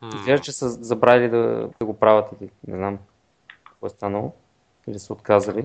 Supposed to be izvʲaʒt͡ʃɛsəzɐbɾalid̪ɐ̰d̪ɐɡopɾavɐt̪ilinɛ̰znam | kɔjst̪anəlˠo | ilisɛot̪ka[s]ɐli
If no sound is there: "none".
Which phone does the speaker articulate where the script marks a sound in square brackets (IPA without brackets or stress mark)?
z